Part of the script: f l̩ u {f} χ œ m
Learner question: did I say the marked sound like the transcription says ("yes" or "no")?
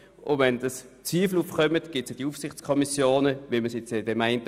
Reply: yes